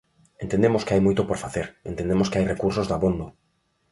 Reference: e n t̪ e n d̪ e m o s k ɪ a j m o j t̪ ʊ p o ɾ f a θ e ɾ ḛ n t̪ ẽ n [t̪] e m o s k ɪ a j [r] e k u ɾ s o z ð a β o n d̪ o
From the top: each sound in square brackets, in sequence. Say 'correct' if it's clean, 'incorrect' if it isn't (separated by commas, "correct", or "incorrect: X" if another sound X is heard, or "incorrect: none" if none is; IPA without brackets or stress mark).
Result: incorrect: d̪, correct